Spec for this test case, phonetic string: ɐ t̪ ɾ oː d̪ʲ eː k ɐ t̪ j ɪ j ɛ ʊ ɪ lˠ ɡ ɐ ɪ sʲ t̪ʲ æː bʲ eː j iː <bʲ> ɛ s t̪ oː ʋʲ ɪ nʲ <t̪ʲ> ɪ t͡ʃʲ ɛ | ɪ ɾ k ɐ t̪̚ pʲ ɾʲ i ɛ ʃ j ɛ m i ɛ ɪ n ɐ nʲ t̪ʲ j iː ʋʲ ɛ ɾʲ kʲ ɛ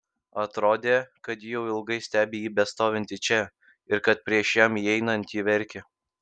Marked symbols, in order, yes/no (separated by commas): yes, yes